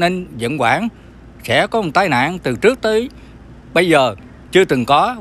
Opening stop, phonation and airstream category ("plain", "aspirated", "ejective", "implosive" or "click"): plain